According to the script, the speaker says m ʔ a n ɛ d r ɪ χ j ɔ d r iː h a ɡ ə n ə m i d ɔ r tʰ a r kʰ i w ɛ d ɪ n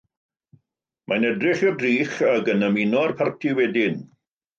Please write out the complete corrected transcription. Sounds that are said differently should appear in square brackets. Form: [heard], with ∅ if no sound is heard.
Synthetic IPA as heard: m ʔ a n ɛ d r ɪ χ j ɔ d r iː [χ] a ɡ ə n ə m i [n] ɔ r [pʰ] a r [tʰ] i w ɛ d ɪ n